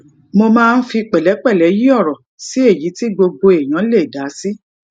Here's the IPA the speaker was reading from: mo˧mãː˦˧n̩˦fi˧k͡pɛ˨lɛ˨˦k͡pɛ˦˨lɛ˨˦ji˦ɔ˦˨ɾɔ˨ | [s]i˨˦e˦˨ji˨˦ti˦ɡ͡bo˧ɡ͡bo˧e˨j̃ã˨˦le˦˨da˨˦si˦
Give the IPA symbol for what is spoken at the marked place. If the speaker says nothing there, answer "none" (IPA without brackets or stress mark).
s